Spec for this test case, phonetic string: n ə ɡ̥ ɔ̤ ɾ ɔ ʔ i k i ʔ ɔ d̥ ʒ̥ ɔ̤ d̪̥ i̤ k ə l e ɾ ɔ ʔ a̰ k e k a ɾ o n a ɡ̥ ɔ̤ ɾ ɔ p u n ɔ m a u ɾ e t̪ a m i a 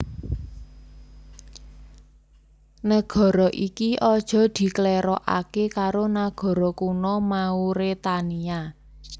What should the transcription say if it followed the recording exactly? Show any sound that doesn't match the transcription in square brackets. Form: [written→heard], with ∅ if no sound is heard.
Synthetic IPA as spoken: n ə ɡ̥ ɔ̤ ɾ ɔ ʔ i k i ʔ ɔ d̥ ʒ̥ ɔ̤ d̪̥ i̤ k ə l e ɾ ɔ ʔ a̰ k e k a ɾ o n a ɡ̥ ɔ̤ ɾ ɔ [p→k] u n ɔ m a u ɾ e t̪ a [m→n] i a